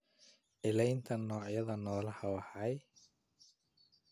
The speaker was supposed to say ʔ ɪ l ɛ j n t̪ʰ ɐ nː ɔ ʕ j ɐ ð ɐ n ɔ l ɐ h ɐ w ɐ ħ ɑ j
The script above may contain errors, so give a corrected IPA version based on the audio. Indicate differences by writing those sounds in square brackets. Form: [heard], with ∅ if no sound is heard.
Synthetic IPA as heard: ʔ ɪ l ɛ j n t̪ʰ ɐ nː [ɔː] ʕ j ɐ ð ɐ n [ɔː] l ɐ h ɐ w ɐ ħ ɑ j